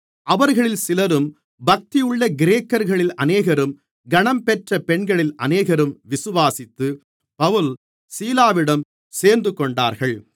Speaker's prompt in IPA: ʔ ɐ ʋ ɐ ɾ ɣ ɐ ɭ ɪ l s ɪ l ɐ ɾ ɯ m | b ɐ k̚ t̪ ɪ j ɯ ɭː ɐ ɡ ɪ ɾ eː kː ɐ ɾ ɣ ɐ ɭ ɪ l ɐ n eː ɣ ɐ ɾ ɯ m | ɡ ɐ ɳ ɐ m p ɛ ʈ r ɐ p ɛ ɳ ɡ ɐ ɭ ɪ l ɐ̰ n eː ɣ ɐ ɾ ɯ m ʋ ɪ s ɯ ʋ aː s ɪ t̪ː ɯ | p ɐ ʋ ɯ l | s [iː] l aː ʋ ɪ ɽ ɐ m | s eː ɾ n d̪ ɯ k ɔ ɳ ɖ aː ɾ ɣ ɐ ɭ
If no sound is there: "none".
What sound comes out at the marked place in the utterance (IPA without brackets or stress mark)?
iː